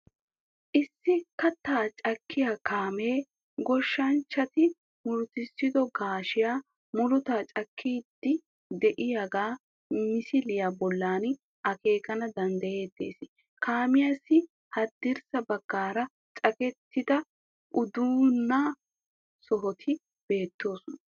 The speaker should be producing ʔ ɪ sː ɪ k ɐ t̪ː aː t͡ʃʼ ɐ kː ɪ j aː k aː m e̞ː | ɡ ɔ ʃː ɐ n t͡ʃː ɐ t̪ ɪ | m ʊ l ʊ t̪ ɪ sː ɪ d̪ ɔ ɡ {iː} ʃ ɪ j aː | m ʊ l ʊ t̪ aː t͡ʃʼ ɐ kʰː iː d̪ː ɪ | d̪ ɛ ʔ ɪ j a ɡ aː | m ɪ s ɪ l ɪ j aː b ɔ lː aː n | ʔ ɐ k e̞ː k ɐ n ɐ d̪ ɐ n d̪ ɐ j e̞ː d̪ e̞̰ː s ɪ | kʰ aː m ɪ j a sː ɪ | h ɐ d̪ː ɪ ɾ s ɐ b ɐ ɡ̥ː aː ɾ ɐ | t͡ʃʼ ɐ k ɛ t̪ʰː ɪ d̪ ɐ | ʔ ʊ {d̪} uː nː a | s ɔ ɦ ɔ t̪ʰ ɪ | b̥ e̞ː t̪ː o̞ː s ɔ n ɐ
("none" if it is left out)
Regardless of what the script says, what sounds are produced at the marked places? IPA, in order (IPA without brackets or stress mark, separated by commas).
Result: aː, d̪